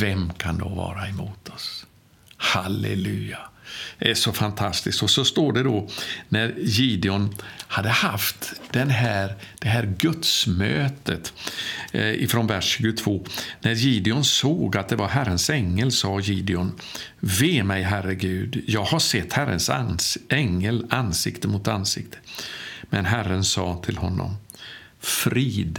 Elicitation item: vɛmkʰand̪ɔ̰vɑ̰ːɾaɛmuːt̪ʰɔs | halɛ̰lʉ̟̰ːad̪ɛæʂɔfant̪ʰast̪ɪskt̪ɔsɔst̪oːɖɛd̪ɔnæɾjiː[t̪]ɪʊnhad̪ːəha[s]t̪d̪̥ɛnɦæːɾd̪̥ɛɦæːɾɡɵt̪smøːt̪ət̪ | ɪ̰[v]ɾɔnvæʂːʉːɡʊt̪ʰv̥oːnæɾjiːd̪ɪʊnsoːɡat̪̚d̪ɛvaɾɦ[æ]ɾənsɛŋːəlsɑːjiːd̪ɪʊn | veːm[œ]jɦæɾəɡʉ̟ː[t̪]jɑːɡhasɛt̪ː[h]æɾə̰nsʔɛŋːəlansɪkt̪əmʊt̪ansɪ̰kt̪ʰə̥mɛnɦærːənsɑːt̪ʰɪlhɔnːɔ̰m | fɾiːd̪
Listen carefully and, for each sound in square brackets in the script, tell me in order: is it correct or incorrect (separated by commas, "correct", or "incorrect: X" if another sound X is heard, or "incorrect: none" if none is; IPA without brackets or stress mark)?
incorrect: d̪, incorrect: f, incorrect: f, correct, incorrect: ɛ, incorrect: d̪, correct